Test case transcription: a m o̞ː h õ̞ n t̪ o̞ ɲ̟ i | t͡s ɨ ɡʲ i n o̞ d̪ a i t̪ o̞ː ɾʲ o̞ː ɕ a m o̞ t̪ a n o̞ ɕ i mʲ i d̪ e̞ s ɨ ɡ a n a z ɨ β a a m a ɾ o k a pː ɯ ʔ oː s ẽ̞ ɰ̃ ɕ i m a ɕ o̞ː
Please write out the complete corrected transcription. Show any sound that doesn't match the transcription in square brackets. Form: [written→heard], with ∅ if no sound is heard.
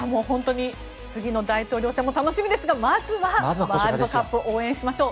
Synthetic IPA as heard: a m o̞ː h õ̞ n t̪ o̞ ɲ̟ i | t͡s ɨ ɡʲ i n o̞ d̪ a i t̪ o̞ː ɾʲ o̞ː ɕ a m o̞ t̪ a n o̞ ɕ i mʲ i d̪ e̞ s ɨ ɡ a [n→m] a z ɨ β a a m a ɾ o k a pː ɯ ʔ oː [s→∅] ẽ̞ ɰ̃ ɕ i m a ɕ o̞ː